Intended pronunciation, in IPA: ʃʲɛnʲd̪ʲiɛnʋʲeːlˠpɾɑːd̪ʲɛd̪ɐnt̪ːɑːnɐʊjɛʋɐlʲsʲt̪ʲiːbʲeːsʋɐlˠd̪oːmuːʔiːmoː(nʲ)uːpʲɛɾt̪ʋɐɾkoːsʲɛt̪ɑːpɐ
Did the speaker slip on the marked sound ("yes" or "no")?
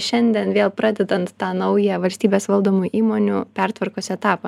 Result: no